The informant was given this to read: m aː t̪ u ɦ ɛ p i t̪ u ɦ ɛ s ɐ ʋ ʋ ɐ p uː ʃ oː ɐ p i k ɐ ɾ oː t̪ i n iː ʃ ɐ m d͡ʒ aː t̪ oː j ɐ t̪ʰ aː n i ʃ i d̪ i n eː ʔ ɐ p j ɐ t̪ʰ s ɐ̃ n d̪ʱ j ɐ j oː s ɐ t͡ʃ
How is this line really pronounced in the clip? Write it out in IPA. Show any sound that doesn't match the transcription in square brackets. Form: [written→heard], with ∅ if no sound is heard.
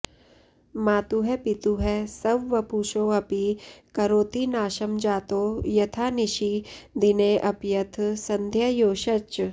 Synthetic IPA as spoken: m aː t̪ u ɦ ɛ p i t̪ u ɦ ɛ s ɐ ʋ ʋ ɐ p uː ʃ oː ɐ p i k ɐ ɾ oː t̪ i n [iː→aː] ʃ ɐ m d͡ʒ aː t̪ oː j ɐ t̪ʰ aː n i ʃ i d̪ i n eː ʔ ɐ p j ɐ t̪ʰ s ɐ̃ n d̪ʱ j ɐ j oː [s→ʃ] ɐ t͡ʃ

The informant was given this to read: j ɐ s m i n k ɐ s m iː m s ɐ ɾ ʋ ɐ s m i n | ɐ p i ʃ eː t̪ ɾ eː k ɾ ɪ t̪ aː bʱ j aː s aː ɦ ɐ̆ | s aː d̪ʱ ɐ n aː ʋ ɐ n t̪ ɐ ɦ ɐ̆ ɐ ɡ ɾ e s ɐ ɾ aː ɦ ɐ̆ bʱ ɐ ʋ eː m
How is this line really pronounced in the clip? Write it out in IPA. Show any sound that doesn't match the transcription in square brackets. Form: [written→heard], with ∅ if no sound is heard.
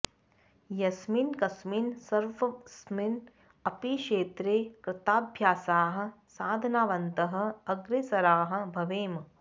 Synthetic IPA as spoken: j ɐ s m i n k ɐ s m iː [m→n] s ɐ ɾ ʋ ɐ s m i n | ɐ p i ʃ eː t̪ ɾ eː k ɾ ɪ t̪ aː bʱ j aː s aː ɦ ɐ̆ | s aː d̪ʱ ɐ n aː ʋ ɐ n t̪ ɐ ɦ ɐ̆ ɐ ɡ ɾ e s ɐ ɾ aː ɦ ɐ̆ bʱ ɐ ʋ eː m

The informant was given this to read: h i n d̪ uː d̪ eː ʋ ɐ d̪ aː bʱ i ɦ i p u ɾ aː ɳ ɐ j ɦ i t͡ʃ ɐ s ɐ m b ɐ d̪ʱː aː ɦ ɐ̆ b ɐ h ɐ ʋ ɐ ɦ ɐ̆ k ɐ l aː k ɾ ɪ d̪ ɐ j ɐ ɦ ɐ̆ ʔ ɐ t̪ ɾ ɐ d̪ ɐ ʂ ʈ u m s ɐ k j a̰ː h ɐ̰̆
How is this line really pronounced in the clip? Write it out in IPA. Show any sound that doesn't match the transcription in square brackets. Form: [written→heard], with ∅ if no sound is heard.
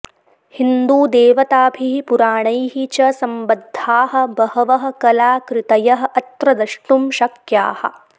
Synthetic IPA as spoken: h i n d̪ uː d̪ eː ʋ ɐ [d̪→t̪] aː bʱ i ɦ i p u ɾ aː ɳ ɐ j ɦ i t͡ʃ ɐ s ɐ m b ɐ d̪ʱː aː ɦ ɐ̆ b ɐ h ɐ ʋ ɐ ɦ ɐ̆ k ɐ l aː k ɾ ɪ [d̪→t̪] ɐ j ɐ ɦ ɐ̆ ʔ ɐ t̪ ɾ ɐ d̪ ɐ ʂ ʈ u m [s→ʃ] ɐ k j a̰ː h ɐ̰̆

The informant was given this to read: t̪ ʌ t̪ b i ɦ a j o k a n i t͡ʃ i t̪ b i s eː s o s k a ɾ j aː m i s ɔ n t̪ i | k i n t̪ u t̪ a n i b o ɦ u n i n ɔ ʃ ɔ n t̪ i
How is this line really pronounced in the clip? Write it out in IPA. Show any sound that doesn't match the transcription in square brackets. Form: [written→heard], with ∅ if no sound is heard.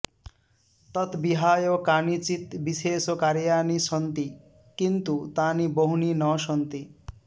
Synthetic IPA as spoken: t̪ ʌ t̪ b i ɦ a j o k a n i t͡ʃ i t̪ b i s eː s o [s→∅] k a ɾ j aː [m→n] i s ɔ n t̪ i | k i n t̪ u t̪ a n i b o ɦ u n i n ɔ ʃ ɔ n t̪ i

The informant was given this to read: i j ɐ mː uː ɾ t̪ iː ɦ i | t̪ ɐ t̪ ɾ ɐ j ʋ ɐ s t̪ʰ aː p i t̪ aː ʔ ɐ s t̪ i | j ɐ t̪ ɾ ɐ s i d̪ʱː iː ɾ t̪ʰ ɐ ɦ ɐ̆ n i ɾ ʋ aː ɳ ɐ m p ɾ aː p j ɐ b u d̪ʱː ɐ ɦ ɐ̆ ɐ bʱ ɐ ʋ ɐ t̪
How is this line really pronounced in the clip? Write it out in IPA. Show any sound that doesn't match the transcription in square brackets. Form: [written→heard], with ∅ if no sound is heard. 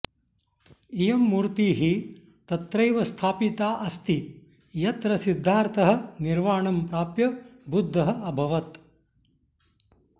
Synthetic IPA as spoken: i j ɐ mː uː ɾ t̪ iː ɦ i | t̪ ɐ t̪ ɾ ɐ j ʋ ɐ s t̪ʰ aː p i t̪ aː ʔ ɐ s t̪ i | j ɐ t̪ ɾ ɐ s i d̪ʱː [iː→aː] ɾ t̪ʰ ɐ ɦ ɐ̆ n i ɾ ʋ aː ɳ ɐ m p ɾ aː p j ɐ b u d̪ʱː ɐ ɦ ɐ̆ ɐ bʱ ɐ ʋ ɐ t̪

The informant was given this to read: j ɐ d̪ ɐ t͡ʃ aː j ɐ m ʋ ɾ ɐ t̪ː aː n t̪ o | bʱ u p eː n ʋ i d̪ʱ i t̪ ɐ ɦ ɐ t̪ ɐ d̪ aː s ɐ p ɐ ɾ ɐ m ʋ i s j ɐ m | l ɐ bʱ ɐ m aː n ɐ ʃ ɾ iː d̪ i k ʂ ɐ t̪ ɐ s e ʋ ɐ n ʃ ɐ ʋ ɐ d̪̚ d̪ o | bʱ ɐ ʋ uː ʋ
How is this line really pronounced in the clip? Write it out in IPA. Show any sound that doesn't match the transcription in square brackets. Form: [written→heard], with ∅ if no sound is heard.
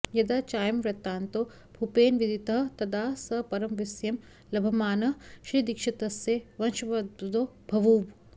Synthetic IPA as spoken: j ɐ d̪ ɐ t͡ʃ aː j ɐ m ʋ ɾ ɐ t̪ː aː n t̪ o | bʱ u p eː n ʋ i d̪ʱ i t̪ ɐ ɦ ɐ t̪ ɐ d̪ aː s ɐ p ɐ ɾ ɐ m ʋ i s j ɐ m | l ɐ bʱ ɐ m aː n ɐ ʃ ɾ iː d̪ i k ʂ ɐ t̪ ɐ s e ʋ ɐ n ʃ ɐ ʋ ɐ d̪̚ d̪ o | bʱ ɐ ʋ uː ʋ

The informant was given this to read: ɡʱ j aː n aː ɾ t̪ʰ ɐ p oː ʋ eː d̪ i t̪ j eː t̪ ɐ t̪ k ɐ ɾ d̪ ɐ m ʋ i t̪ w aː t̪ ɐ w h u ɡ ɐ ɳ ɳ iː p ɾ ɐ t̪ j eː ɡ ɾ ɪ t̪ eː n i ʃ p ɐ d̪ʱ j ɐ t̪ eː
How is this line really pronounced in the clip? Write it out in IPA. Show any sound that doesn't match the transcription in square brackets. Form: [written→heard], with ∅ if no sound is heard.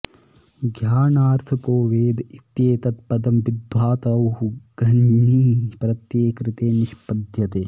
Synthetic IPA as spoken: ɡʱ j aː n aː ɾ t̪ʰ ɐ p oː ʋ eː d̪ i t̪ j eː t̪ ɐ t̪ [k→p] ɐ [ɾ→∅] d̪ ɐ m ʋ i [t̪→d̪] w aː t̪ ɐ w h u ɡ ɐ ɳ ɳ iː p ɾ ɐ t̪ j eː [ɡ→k] ɾ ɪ t̪ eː n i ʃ p ɐ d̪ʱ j ɐ t̪ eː

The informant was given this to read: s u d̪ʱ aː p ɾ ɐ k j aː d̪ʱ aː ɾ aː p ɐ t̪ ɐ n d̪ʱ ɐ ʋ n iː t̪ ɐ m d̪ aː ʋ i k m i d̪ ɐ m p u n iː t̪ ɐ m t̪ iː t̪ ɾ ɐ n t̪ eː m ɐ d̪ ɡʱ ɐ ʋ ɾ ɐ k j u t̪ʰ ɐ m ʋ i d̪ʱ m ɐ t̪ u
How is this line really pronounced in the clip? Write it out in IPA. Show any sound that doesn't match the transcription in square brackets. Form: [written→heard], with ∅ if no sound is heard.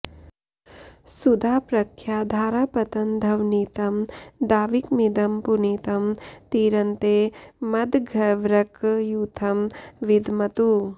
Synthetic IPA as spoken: s u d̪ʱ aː p ɾ ɐ [k→kʰ] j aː d̪ʱ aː ɾ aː p ɐ t̪ ɐ n d̪ʱ ɐ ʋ n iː t̪ ɐ m d̪ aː ʋ i k m i d̪ ɐ m p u n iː t̪ ɐ m t̪ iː [t̪→∅] ɾ ɐ n t̪ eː m ɐ d̪ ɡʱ ɐ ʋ ɾ ɐ k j u t̪ʰ ɐ m ʋ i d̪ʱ m ɐ t̪ u

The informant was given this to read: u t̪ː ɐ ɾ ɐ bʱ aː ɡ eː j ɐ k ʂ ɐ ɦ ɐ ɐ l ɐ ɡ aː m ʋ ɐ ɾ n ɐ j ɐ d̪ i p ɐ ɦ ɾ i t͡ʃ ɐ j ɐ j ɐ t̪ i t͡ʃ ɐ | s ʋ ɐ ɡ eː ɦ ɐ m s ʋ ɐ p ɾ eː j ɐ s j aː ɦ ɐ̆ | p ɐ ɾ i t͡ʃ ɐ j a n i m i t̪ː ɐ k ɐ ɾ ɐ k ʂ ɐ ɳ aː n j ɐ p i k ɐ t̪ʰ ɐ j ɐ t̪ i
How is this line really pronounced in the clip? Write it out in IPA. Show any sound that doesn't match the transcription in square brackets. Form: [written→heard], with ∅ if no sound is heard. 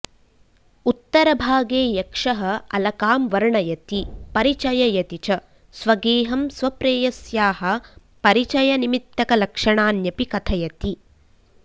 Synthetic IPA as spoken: u t̪ː ɐ ɾ ɐ bʱ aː ɡ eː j ɐ k ʂ ɐ ɦ ɐ ɐ l ɐ [ɡ→k] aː m ʋ ɐ ɾ [n→ɳ] ɐ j ɐ [d̪→t̪] i p ɐ [ɦ→∅] ɾ i t͡ʃ ɐ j ɐ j ɐ t̪ i t͡ʃ ɐ | s ʋ ɐ ɡ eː ɦ ɐ m s ʋ ɐ p ɾ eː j ɐ s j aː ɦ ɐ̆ | p ɐ ɾ i t͡ʃ ɐ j [a→ɐ] n i m i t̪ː ɐ k ɐ [ɾ→l] ɐ k ʂ ɐ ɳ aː n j ɐ p i k ɐ t̪ʰ ɐ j ɐ t̪ i

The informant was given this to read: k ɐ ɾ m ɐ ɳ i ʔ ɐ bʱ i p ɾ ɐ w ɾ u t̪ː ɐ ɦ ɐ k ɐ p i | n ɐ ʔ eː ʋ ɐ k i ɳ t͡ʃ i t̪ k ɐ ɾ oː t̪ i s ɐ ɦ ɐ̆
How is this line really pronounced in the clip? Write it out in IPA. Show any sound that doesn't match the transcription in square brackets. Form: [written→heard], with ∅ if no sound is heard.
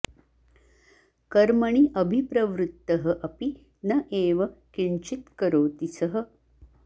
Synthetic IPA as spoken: k ɐ ɾ m ɐ ɳ i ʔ ɐ bʱ i p ɾ ɐ [w→ʋ] ɾ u t̪ː ɐ ɦ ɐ [k→ʔ] ɐ p i | n ɐ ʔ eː ʋ ɐ k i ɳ t͡ʃ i t̪ k ɐ ɾ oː t̪ i s ɐ ɦ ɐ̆

